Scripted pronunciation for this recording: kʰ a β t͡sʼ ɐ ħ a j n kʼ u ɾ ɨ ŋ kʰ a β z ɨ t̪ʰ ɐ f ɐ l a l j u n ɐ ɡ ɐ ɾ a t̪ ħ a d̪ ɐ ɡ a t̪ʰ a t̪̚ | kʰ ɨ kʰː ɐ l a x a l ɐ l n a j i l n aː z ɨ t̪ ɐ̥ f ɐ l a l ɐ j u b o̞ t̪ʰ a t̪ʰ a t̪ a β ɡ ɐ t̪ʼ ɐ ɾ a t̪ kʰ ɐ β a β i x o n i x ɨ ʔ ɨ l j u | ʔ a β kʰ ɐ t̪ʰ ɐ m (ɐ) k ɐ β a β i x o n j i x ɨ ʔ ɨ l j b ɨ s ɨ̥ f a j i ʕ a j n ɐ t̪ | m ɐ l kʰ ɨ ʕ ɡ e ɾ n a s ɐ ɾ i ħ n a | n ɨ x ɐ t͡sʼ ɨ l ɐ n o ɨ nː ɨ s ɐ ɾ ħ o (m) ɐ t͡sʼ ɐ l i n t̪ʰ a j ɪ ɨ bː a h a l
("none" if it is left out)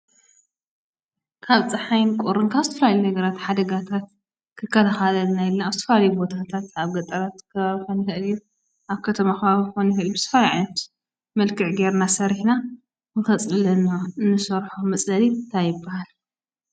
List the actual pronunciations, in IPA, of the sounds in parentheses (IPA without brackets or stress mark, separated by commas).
a, m